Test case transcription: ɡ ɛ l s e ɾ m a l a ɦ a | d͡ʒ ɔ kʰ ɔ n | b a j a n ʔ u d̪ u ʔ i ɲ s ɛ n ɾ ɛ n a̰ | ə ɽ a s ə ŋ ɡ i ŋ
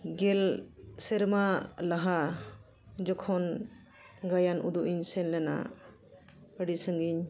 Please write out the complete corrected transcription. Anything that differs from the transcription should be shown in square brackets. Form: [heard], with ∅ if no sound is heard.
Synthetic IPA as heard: ɡ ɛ l s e ɾ m a l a ɦ a | d͡ʒ ɔ kʰ ɔ n | [ɡ] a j a n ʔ u d̪ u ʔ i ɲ s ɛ n [l] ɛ n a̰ | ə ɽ [i] s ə ŋ ɡ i [ɲ]